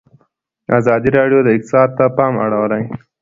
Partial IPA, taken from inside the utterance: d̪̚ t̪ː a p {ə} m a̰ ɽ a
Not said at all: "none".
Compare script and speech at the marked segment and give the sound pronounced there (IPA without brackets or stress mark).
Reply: ɑ